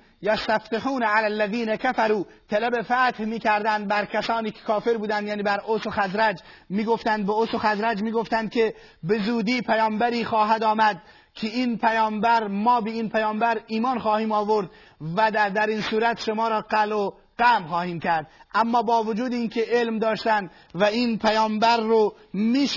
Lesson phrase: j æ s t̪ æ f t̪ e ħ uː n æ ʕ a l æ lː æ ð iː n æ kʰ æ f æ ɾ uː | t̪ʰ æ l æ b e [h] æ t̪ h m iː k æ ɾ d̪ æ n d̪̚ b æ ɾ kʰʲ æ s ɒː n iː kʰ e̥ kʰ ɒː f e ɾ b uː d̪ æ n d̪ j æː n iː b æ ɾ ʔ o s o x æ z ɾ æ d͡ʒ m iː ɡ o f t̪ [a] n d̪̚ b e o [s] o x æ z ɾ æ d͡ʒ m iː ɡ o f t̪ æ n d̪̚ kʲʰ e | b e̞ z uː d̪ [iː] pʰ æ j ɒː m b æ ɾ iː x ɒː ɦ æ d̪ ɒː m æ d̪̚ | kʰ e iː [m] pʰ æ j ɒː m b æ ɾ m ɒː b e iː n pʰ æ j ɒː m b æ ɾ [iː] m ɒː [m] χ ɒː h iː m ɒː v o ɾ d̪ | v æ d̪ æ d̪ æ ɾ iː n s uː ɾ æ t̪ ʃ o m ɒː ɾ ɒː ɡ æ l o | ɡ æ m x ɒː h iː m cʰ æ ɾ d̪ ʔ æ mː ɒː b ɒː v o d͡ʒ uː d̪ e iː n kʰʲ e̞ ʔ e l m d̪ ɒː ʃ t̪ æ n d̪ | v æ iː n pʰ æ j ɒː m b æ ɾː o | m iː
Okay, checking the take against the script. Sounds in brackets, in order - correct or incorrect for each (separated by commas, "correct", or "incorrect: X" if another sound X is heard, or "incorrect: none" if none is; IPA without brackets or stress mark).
incorrect: f, incorrect: æ, correct, correct, incorrect: n, correct, incorrect: n